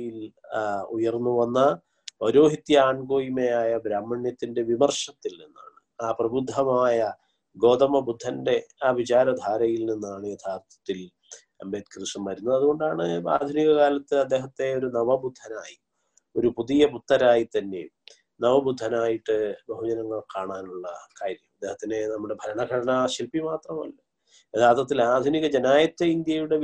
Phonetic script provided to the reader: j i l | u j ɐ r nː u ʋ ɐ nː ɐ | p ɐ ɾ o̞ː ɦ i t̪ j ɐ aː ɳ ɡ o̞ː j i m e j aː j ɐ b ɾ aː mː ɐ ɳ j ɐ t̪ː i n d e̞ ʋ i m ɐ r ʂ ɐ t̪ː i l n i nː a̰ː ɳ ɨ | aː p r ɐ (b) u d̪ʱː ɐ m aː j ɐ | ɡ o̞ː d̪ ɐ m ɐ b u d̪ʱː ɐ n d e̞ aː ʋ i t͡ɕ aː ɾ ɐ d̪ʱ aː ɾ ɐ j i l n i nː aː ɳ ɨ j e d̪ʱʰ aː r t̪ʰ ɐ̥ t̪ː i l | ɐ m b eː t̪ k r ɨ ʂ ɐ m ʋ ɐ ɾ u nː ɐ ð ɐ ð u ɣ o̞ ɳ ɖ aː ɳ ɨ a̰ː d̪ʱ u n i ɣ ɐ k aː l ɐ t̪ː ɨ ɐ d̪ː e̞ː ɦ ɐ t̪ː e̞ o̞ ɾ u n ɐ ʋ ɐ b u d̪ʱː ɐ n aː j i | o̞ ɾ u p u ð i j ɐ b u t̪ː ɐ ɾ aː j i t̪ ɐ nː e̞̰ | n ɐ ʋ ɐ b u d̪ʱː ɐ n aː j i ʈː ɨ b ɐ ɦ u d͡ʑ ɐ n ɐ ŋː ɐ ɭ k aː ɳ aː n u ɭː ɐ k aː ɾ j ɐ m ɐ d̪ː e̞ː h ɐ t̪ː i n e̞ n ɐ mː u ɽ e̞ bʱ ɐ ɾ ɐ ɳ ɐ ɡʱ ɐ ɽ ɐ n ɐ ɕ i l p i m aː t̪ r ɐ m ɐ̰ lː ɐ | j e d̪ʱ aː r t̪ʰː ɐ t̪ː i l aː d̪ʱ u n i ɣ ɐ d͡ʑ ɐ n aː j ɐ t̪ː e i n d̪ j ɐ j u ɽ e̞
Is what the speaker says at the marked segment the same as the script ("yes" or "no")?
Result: yes